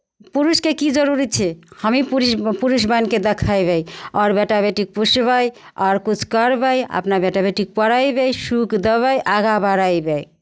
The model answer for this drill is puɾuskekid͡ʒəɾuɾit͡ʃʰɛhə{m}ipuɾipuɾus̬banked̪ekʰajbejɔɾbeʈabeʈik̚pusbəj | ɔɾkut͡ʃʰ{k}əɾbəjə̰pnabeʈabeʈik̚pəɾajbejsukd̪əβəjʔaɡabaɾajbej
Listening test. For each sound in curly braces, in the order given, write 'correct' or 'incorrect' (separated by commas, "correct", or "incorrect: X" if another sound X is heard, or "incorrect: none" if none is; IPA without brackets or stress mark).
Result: correct, correct